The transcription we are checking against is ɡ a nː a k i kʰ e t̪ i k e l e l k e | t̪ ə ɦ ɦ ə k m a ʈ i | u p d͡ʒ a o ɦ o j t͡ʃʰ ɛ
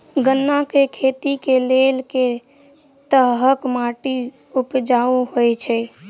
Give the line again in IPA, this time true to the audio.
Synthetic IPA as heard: ɡ ə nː a k e kʰ e t̪ i k e l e l k e | t̪ ə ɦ ɦ ə k m a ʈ i | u p d͡ʒ a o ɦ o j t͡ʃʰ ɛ

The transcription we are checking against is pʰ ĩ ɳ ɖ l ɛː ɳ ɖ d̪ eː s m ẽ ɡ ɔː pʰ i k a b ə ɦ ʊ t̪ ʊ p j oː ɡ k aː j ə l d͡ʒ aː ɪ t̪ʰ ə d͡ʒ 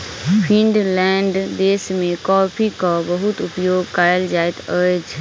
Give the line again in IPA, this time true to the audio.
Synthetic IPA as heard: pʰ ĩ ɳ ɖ l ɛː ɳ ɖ d̪ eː s m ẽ k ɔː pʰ i k a b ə ɦ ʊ t̪ ʊ p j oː ɡ k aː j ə l d͡ʒ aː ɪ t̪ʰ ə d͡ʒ

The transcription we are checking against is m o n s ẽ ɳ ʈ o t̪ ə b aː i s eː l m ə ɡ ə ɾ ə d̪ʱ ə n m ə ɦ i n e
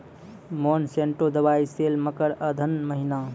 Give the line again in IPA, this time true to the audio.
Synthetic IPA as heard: m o n s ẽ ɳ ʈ o d̪ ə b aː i s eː l m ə k ə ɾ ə d̪ʱ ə n m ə ɦ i n a

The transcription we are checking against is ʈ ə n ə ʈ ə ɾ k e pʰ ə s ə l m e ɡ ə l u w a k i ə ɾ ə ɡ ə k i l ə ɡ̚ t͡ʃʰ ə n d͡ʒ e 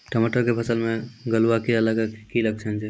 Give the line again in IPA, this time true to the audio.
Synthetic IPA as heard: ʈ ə m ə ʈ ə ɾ k e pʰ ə s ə l m e ɡ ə l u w a k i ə l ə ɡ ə k i l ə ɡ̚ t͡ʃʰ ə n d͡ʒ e

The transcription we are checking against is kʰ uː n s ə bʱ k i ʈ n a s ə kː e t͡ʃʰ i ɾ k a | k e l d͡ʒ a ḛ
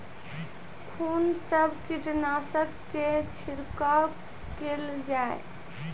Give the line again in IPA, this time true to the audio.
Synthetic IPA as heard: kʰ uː n s ə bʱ k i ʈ n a s ə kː e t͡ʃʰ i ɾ k a | k e l d͡ʒ a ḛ

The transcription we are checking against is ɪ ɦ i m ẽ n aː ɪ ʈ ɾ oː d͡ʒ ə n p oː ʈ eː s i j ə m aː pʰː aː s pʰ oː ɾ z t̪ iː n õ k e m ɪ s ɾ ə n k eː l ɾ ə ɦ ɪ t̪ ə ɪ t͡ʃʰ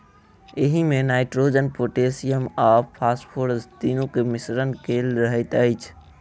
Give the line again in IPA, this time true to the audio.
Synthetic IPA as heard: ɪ ɦ i m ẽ n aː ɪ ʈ ɾ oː d͡ʒ ə n p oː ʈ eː s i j ə m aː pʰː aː s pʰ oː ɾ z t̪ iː n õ k e m ɪ s ɾ ə n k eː l ɾ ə ɦ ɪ t̪ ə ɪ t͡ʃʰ

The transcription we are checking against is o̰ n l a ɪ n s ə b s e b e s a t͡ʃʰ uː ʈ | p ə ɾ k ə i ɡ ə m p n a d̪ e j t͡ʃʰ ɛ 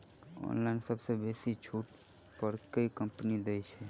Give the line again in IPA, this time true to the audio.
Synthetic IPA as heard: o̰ n l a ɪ n s ə b s e b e s i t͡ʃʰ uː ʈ | p ə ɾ k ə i k ə m p n i d̪ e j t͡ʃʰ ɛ

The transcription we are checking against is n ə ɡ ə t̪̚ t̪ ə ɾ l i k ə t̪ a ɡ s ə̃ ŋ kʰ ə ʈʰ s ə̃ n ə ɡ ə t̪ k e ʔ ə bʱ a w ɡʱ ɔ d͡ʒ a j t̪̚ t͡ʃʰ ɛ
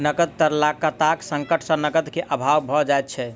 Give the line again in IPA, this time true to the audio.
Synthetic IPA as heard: n ə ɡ ə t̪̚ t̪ ə ɾ l a k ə t̪ a k s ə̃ ŋ k ə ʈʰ s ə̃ n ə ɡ ə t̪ k e ʔ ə bʱ a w bʱ ɔ d͡ʒ a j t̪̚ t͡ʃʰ ɛ

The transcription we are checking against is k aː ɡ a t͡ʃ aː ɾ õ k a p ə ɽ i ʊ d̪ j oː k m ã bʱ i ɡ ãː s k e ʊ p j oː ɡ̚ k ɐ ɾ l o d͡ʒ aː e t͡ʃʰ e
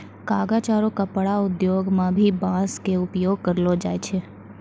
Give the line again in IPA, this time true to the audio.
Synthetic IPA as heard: k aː ɡ a t͡ʃ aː ɾ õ k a p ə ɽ a ʊ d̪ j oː ɡ m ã bʱ i b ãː s k e ʊ p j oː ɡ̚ k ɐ ɾ l o d͡ʒ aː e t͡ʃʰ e

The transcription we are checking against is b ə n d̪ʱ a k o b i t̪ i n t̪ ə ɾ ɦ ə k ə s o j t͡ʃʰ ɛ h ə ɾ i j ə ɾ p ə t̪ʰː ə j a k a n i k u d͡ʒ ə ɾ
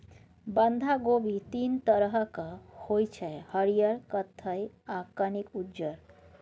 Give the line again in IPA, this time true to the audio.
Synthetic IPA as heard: b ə n d̪ʱ a ɡ o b i t̪ i n t̪ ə ɾ ɦ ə k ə h o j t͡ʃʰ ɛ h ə ɾ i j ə ɾ k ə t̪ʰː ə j a k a n i k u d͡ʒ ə ɾ

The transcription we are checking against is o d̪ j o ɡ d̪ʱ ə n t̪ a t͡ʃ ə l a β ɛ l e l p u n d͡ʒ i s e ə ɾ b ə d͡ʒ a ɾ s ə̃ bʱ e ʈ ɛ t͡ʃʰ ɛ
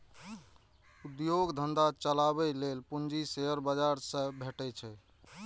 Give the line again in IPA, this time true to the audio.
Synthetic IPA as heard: u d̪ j o ɡ d̪ʱ ə n d̪ a t͡ʃ ə l a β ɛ l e l p u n d͡ʒ i s e ə ɾ b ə d͡ʒ a ɾ s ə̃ bʱ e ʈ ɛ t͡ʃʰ ɛ

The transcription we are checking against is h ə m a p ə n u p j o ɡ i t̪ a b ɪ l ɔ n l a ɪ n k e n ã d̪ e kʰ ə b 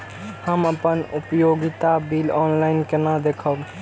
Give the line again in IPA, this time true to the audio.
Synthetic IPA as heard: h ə m ə p ə n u p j o ɡ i t̪ a b i l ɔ n l a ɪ n k e n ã d̪ e kʰ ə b

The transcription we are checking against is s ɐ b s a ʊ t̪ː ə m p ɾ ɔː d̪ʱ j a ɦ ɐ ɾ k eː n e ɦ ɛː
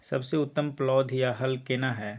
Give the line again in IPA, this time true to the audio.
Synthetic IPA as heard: s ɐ b s e ʊ t̪ː ə m p l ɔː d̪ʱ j a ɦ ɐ l k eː n a ɦ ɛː

